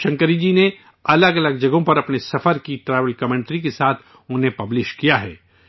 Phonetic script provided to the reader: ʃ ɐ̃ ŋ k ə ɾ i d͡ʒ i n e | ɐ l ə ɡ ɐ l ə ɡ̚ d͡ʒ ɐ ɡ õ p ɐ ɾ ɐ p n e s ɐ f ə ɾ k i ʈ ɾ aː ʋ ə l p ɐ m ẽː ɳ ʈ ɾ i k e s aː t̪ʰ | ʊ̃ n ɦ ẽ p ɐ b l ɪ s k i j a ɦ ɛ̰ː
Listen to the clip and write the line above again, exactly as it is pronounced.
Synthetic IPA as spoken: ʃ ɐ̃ ŋ k ə ɾ i d͡ʒ i n e | ɐ l ə ɡ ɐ l ə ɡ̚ d͡ʒ ɐ ɡ õ p ɐ ɾ ɐ p n e s ɐ f ə ɾ k i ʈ ɾ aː ʋ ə l k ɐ m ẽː ɳ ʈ ɾ i k e s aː t̪ʰ | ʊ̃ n ɦ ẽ p ɐ b l ɪ ʃ k i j a ɦ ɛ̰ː